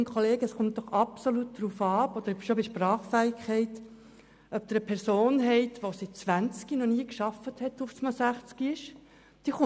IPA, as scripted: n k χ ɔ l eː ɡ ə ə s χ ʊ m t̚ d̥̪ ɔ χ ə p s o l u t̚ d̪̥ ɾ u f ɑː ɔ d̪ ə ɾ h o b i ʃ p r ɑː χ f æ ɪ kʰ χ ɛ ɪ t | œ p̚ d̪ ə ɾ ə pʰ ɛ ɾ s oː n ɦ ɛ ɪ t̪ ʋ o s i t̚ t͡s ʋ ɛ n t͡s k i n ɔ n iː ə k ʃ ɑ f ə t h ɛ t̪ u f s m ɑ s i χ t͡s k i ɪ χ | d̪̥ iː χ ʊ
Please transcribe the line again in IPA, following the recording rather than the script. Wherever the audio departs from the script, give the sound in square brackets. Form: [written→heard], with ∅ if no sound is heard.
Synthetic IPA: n k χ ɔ l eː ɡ ə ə s χ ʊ m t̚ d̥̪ ɔ χ [ə→ɑ] p s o l u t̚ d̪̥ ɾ u f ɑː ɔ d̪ ə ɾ [h→ʃ] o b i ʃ p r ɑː χ f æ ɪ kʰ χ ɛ ɪ t | œ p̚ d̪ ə ɾ ə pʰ ɛ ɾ s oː n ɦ ɛ ɪ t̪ ʋ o s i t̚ t͡s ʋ [ɛ→æ] n t͡s k i n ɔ n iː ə k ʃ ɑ f ə t h ɛ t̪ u f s m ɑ s [i→æ] χ t͡s k i ɪ [χ→ʃ] | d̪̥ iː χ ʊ